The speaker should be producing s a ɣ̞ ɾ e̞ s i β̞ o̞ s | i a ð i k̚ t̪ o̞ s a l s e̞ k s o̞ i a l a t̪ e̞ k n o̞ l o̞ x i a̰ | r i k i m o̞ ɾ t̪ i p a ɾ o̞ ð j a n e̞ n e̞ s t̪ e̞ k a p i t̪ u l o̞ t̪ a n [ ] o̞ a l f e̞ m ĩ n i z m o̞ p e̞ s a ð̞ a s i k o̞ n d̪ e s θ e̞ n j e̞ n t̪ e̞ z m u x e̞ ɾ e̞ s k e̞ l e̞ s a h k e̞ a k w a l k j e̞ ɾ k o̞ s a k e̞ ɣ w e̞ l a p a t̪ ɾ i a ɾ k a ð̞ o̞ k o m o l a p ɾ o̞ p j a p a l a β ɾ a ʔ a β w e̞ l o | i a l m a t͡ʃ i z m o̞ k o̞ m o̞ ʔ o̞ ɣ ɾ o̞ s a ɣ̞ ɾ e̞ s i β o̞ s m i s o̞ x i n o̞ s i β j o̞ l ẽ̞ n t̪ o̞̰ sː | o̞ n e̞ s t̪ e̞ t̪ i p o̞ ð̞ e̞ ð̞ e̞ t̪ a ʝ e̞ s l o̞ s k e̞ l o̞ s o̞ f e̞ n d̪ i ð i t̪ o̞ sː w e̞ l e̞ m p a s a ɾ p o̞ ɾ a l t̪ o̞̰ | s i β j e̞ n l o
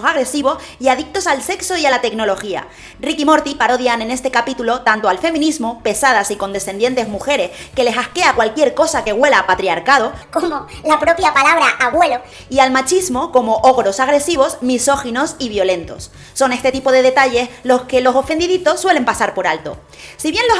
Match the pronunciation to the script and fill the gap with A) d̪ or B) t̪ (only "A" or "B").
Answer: B